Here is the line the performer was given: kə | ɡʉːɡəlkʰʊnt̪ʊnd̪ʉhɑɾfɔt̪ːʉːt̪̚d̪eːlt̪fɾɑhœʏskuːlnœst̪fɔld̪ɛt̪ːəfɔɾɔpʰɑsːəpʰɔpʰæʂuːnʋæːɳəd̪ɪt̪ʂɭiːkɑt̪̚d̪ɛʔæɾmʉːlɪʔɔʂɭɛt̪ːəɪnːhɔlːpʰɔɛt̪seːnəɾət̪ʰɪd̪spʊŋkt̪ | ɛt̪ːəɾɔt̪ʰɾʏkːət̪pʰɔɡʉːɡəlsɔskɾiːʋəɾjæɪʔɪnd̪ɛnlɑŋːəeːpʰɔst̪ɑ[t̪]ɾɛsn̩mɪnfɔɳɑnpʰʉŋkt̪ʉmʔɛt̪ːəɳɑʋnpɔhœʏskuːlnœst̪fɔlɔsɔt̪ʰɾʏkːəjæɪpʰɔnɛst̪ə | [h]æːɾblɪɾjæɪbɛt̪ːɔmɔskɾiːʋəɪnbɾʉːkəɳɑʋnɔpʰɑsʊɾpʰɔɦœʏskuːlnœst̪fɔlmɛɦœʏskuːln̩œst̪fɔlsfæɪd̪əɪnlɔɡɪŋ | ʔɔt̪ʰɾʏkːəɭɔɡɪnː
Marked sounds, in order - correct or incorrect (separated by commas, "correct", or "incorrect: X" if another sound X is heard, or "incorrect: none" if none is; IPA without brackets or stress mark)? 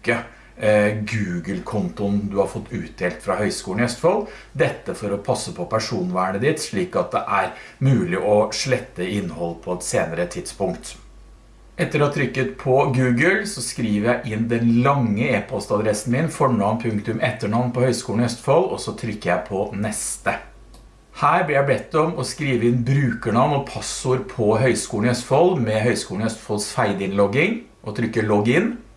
incorrect: d̪, correct